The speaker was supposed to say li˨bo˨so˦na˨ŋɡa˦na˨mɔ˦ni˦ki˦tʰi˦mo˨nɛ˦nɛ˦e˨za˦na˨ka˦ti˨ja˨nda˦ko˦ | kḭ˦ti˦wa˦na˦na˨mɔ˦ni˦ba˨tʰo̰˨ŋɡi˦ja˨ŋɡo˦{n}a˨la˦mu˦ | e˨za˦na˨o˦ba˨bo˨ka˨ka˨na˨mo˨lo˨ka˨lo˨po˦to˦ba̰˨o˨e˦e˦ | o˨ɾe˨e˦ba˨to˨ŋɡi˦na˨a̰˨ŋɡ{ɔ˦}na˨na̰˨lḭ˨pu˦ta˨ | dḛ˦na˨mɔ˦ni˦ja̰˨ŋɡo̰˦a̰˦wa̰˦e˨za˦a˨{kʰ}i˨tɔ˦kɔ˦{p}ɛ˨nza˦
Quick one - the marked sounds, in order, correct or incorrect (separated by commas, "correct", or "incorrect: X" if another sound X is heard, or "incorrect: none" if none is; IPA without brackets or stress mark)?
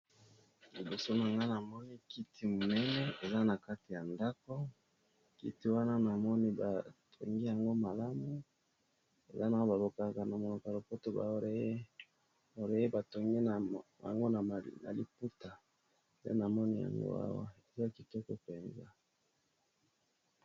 incorrect: m, incorrect: o˦, incorrect: k, correct